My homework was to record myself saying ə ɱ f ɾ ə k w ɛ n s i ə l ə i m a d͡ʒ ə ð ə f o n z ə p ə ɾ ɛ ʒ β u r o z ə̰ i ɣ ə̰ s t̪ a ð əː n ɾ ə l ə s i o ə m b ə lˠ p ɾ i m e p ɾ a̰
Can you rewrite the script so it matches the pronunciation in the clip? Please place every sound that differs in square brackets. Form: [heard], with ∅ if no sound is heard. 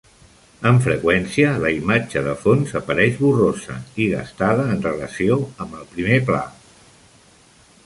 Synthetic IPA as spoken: ə ɱ f ɾ ə k w ɛ n s i ə l ə i m a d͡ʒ ə ð ə f o n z ə p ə ɾ ɛ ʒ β u r o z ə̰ i ɣ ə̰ s t̪ a ð əː n [r] ə l ə s i o ə m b ə lˠ p ɾ i m e p [l] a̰